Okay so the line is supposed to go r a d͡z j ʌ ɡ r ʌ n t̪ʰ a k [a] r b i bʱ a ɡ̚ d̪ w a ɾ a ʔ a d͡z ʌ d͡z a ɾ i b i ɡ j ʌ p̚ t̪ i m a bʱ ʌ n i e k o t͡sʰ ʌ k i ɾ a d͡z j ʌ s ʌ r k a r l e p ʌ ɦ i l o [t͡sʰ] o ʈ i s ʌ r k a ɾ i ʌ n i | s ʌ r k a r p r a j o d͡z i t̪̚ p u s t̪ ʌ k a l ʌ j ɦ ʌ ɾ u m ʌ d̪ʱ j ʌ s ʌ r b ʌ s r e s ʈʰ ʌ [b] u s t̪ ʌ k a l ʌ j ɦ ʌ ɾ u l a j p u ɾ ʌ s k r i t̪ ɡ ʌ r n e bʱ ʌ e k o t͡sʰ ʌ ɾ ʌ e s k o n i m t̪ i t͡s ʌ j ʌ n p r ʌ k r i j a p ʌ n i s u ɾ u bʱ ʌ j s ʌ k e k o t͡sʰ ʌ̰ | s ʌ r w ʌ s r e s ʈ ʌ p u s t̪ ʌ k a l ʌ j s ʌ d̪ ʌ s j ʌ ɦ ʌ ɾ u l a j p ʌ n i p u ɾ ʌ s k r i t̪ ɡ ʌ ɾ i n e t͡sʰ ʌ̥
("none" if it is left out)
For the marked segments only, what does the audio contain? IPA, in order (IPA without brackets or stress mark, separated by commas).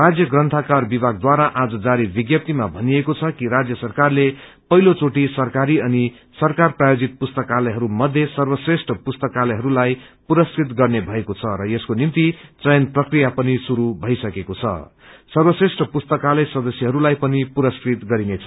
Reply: a, t͡s, p